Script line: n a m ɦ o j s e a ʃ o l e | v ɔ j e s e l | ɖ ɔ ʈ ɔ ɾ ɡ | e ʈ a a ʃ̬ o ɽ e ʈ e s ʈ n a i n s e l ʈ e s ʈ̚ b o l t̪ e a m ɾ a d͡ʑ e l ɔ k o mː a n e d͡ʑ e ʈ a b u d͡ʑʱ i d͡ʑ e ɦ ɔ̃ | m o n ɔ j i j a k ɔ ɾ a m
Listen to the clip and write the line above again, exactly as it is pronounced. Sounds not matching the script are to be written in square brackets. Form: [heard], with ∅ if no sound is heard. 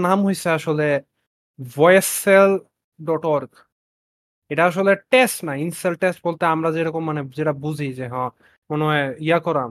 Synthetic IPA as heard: n a m ɦ o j s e a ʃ o l e | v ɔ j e s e l | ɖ ɔ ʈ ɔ ɾ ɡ | e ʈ a a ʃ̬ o [l] e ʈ e s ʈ n a i n s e l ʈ e s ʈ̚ b o l t̪ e a m ɾ a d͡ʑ e [ɾ] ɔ k o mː a n e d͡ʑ e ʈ a b u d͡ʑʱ i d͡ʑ e ɦ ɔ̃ | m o n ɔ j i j a k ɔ ɾ a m